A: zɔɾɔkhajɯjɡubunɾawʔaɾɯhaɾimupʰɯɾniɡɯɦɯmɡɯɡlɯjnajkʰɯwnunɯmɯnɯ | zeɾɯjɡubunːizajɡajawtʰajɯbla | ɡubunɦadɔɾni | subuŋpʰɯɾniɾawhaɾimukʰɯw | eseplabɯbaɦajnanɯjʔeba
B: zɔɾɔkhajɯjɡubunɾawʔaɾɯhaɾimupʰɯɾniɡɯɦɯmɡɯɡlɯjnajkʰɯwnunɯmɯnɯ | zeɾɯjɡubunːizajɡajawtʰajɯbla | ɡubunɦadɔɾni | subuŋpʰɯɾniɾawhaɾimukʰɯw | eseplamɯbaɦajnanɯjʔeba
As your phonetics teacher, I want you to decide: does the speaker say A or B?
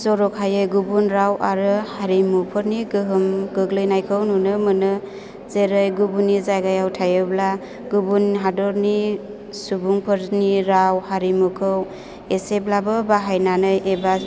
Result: A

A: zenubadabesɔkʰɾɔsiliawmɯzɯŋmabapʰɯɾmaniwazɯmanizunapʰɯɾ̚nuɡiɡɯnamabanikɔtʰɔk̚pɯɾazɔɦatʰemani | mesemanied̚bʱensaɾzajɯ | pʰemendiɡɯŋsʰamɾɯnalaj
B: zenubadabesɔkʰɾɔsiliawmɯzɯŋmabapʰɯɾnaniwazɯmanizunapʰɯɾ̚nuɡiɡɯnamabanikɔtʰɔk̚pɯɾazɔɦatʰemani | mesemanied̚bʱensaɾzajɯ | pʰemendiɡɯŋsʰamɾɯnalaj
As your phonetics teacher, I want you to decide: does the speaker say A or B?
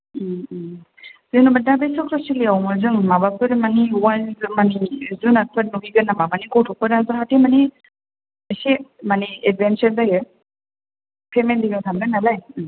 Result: A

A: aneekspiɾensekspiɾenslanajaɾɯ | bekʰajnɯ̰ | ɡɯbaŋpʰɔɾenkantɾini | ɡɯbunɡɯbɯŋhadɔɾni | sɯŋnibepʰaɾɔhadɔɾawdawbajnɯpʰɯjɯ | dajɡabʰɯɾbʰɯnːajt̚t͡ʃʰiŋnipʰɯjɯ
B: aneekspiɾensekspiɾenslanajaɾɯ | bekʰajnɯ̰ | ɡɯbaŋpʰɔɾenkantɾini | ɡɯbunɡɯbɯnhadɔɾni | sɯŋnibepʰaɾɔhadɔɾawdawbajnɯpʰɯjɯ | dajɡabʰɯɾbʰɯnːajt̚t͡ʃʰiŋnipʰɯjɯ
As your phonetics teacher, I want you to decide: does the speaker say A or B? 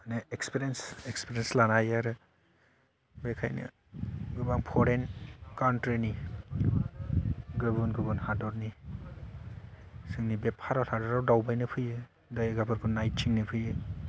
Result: B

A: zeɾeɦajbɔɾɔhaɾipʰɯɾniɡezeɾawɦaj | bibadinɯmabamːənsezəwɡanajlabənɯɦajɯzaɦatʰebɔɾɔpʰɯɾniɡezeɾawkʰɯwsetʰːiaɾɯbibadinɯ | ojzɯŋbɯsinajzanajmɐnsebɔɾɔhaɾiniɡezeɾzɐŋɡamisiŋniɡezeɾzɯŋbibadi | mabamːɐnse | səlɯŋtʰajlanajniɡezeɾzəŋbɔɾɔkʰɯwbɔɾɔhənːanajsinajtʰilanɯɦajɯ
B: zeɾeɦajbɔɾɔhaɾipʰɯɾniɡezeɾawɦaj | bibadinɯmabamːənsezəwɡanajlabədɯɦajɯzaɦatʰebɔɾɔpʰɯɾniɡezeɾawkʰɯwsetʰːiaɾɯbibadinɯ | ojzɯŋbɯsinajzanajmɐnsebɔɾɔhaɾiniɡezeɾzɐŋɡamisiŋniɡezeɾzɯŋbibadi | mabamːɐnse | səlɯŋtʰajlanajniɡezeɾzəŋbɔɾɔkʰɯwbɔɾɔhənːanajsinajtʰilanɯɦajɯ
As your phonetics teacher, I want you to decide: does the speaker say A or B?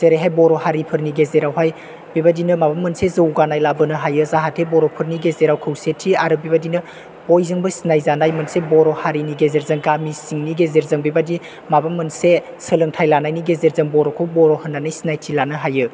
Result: A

